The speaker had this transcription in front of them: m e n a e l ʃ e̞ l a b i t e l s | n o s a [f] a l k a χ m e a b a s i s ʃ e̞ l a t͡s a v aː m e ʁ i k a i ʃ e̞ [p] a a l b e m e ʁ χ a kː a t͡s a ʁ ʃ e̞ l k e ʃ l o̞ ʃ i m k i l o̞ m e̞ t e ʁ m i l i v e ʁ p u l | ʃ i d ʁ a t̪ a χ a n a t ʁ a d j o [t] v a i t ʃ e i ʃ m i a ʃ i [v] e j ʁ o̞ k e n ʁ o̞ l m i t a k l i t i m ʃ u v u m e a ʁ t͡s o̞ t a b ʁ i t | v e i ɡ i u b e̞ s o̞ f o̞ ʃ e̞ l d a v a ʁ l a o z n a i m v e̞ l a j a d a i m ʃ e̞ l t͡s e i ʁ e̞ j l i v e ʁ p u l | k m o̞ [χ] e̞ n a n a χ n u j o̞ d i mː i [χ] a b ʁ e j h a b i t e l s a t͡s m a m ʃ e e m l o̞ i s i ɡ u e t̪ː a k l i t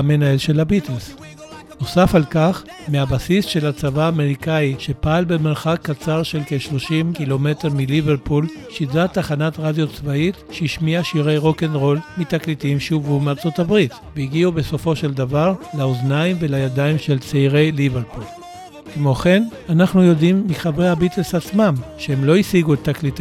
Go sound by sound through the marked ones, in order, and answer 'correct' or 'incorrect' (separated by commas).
correct, correct, incorrect, incorrect, correct, correct